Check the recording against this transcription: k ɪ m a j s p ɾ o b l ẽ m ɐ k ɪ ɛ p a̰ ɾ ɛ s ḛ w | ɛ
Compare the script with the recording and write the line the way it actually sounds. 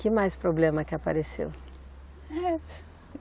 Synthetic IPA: k ɪ m a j s p ɾ o b l ẽ m ɐ k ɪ a p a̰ ɾ e s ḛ w | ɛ